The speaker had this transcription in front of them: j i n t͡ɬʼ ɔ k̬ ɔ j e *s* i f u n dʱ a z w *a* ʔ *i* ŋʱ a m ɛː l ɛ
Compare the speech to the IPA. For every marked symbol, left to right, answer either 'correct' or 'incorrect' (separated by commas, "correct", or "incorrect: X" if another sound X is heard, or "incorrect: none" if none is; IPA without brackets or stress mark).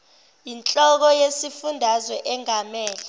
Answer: correct, incorrect: ɛ, incorrect: ɛ